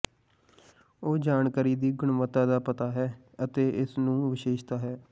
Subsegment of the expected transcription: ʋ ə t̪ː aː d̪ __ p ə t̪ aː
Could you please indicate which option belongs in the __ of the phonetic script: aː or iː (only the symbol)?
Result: aː